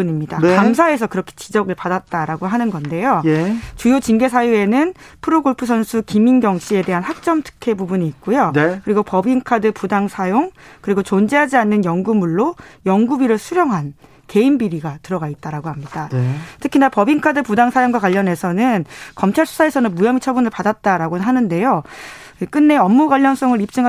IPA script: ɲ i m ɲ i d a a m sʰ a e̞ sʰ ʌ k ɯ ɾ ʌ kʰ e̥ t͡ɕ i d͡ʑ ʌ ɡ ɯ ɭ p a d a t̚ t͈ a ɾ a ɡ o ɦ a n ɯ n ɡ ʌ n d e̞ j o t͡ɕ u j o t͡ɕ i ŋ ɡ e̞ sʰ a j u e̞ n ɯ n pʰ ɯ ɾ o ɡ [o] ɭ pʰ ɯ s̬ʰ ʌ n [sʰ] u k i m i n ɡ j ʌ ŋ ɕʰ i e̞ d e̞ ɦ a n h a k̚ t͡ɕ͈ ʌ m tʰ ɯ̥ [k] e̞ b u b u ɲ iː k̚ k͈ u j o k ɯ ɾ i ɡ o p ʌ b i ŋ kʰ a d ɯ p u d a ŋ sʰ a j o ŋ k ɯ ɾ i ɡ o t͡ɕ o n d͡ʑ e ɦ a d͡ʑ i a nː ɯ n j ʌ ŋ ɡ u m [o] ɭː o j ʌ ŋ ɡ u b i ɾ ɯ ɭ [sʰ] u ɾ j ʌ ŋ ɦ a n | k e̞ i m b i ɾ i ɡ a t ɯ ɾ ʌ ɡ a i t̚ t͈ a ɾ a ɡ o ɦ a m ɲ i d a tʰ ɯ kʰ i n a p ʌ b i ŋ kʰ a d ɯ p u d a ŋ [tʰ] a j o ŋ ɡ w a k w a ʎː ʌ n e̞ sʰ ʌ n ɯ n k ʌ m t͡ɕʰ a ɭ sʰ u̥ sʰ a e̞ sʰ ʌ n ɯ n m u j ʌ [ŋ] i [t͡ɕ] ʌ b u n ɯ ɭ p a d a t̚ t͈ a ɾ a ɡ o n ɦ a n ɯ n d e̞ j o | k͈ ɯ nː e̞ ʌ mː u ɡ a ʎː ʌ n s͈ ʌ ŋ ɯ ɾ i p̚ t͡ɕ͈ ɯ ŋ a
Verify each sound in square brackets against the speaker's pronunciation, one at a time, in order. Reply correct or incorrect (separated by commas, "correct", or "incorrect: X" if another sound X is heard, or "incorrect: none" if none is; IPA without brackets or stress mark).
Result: correct, correct, incorrect: kʰ, incorrect: u, correct, incorrect: sʰ, incorrect: m, incorrect: t͡ɕʰ